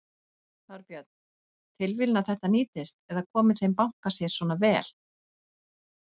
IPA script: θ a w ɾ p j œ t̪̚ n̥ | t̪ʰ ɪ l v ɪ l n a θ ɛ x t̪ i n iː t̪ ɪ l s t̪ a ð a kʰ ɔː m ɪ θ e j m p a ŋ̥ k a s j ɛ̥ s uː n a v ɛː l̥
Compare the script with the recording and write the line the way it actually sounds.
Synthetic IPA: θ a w ɾ p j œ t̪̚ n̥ | t̪ʰ ɪ l v ɪ l n a θ ɛ h t̪ a n iː t̪ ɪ s t̪ ɛ ð a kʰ ɔː m ɪ θ e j m p a ŋ̥ k a s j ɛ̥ s ɔː n a v ɛː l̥